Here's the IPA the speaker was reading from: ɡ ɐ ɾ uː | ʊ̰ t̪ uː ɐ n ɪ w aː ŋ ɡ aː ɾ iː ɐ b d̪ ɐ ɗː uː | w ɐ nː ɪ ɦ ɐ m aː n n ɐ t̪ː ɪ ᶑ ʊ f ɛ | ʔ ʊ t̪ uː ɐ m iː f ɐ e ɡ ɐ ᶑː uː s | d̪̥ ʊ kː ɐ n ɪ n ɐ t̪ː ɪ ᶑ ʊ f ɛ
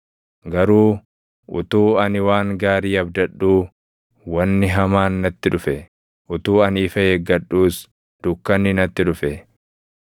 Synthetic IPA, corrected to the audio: ɡ ɐ ɾ uː | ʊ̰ t̪ uː ɐ n ɪ w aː ŋ ɡ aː ɾ iː ɐ b d̪ ɐ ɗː uː | w ɐ nː ɪ ɦ ɐ m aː n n ɐ t̪ː ɪ ᶑ ʊ f ɛ | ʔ ʊ t̪ uː ɐ n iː f ɐ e ɡ ɐ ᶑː uː s | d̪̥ ʊ kː ɐ n ɪ n ɐ t̪ː ɪ ᶑ ʊ f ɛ